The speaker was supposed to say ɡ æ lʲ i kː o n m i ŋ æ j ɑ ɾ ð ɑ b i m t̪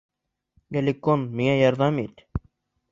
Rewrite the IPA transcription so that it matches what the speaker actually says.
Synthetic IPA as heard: ɡ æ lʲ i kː o n m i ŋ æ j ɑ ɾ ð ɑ m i t̪